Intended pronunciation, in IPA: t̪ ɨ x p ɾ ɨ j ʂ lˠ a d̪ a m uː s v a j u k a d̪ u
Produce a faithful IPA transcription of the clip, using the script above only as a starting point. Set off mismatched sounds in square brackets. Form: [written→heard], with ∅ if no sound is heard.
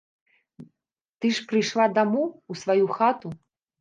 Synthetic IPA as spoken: t̪ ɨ [x→ʂ] p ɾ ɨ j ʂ lˠ a d̪ a m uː s v a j u [k→x] a [d̪→t̪] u